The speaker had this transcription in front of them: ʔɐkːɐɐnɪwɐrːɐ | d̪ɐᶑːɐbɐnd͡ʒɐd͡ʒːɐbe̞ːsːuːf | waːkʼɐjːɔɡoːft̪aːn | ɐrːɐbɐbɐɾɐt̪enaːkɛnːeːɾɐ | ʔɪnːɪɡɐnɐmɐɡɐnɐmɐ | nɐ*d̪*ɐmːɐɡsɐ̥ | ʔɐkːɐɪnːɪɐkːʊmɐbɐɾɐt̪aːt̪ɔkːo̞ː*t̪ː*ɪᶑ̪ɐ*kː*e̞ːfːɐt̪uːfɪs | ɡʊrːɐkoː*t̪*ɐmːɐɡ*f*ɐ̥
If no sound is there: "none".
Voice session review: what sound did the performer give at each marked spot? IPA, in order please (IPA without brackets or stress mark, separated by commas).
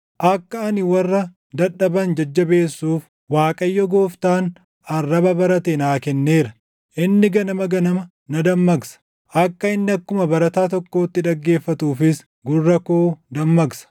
d̪, t̪ː, ɡː, d̪, s